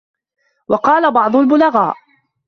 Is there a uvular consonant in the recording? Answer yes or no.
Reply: yes